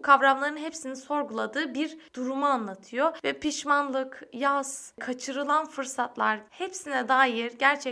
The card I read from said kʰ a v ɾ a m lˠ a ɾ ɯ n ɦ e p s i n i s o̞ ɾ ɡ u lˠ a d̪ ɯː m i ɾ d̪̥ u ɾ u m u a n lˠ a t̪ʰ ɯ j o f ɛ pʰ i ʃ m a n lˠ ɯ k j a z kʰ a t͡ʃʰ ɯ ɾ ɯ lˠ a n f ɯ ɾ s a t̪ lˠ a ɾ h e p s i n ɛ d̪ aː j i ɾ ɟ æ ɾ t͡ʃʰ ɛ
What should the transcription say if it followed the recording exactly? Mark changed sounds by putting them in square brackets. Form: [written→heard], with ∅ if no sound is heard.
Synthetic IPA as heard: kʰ a v ɾ a m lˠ a ɾ ɯ n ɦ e p s i n i s o̞ ɾ ɡ u lˠ a d̪ ɯː [m→b] i ɾ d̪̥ u ɾ u m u a n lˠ a t̪ʰ ɯ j o [f→v] ɛ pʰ i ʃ m a n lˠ ɯ k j a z kʰ a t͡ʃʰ ɯ ɾ ɯ lˠ a n f ɯ ɾ s a t̪ lˠ a ɾ h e p s i n ɛ d̪ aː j i ɾ ɟ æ ɾ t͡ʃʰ ɛ